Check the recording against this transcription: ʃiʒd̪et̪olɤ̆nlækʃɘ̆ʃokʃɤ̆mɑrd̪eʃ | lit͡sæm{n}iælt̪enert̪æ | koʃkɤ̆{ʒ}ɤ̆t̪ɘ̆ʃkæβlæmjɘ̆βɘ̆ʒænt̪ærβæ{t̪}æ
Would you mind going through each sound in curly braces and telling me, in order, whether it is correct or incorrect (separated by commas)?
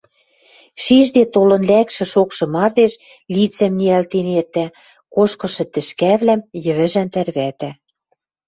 correct, incorrect, correct